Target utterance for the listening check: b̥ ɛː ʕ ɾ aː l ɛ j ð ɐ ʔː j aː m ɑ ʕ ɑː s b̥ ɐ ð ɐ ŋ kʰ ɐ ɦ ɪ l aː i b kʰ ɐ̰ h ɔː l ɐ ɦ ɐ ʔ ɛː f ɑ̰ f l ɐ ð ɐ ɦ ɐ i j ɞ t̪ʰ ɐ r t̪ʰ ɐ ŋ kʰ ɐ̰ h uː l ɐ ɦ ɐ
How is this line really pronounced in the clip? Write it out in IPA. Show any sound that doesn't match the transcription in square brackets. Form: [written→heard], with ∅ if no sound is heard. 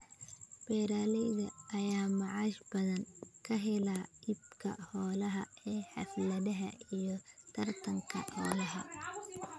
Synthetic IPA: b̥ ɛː [ʕ→∅] ɾ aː l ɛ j ð ɐ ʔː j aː m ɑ ʕ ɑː [s→ʃ] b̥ ɐ ð ɐ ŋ kʰ ɐ ɦ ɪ l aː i b kʰ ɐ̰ h ɔː l ɐ ɦ ɐ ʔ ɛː [f→ħ] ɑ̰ f l ɐ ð ɐ ɦ ɐ i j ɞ t̪ʰ ɐ r t̪ʰ ɐ ŋ kʰ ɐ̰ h [uː→ɔː] l ɐ ɦ ɐ